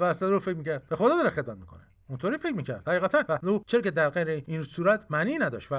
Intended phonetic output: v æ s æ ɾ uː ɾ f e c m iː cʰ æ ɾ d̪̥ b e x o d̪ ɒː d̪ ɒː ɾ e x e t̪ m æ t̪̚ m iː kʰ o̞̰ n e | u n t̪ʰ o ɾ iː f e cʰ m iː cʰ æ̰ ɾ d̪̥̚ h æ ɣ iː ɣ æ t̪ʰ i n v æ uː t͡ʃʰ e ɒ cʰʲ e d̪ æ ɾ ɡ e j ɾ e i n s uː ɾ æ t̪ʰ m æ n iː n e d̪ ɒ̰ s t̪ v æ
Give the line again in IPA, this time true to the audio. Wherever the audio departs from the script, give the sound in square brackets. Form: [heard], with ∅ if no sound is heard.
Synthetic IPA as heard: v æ s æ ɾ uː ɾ f e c m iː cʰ æ ɾ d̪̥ b e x o d̪ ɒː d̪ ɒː ɾ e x e [d̪] m æ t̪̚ m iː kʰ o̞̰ n e | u n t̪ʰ o ɾ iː f e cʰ m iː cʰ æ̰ ɾ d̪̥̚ h æ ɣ iː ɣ æ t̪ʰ [æ] n v æ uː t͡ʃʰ e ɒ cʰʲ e d̪ æ ɾ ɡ e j ɾ e i n s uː ɾ æ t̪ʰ m æ n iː n [æ] d̪ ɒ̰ [ʃ] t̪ v æ